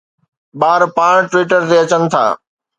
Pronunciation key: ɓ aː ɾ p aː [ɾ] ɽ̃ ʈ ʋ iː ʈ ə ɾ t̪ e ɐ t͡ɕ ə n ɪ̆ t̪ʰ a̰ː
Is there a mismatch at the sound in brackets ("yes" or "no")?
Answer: yes